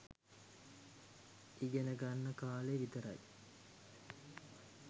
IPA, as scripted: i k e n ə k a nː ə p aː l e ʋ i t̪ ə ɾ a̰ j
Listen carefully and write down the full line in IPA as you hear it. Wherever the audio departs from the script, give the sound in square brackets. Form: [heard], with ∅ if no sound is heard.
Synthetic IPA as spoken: i [ɡ] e n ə [ɡ] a nː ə [k] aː l e ʋ i t̪ ə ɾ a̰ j

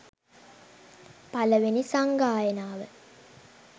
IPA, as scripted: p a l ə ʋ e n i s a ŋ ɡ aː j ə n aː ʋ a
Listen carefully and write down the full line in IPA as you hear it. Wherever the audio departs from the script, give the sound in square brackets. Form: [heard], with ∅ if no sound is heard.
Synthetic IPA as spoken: p a l ə ʋ e n i s a ŋ ɡ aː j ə n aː ʋ [ə]

